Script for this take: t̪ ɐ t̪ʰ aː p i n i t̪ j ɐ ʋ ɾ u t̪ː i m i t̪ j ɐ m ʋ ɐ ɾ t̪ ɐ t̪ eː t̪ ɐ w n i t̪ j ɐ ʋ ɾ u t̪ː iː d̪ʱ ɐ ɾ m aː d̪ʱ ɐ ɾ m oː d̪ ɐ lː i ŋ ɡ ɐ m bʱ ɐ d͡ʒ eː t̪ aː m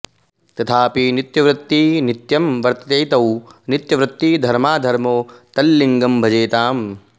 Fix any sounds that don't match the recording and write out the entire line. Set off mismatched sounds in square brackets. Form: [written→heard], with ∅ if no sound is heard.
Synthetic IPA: t̪ ɐ t̪ʰ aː p i n i t̪ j ɐ ʋ ɾ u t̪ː i [m→n] i t̪ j ɐ m ʋ ɐ ɾ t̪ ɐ t̪ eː t̪ ɐ w n i t̪ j ɐ ʋ ɾ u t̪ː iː d̪ʱ ɐ ɾ m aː d̪ʱ ɐ ɾ m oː [d̪→t̪] ɐ lː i ŋ ɡ ɐ m bʱ ɐ d͡ʒ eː t̪ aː m